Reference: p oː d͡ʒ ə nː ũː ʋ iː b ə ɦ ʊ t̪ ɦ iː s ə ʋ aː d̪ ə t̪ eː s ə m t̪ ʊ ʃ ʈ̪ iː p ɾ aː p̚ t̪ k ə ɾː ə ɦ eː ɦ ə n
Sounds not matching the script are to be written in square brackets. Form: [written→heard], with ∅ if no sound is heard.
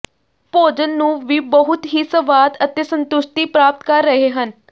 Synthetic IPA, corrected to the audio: p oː d͡ʒ ə nː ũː ʋ iː b ə ɦ ʊ t̪ ɦ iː s ə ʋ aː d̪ ə t̪ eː s ə [m→n] t̪ ʊ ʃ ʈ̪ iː p ɾ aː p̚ t̪ k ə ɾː ə ɦ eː ɦ ə n